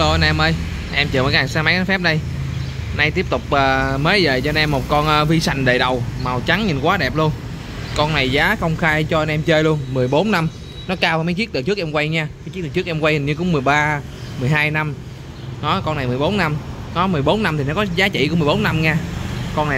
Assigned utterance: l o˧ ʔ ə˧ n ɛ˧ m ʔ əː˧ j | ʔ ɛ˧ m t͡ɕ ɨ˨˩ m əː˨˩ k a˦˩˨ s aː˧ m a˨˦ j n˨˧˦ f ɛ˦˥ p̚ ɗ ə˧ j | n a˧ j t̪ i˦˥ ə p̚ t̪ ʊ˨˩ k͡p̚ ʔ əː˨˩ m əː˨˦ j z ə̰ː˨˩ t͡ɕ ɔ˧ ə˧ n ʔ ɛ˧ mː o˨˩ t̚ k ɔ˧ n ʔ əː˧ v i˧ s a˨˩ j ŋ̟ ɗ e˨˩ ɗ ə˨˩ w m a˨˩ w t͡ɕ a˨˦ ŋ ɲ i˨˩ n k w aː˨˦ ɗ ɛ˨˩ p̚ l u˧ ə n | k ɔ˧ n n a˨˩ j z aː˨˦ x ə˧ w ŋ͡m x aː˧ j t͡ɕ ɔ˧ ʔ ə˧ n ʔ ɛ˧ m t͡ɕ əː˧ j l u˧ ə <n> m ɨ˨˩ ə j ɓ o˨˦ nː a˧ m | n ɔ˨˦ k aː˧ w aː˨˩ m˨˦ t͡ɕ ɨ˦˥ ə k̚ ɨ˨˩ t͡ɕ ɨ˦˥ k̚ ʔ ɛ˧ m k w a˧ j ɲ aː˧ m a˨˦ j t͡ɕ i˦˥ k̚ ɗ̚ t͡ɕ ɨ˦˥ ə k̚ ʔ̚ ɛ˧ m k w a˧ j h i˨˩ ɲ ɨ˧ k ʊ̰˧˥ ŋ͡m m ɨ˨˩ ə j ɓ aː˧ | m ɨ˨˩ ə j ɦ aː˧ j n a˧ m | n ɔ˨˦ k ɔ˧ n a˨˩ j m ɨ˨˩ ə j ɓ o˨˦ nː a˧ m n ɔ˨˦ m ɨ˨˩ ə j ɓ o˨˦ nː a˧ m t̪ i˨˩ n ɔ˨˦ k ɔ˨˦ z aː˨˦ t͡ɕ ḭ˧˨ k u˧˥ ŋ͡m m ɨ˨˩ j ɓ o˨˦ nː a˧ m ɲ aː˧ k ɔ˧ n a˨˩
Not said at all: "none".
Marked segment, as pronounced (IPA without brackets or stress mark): n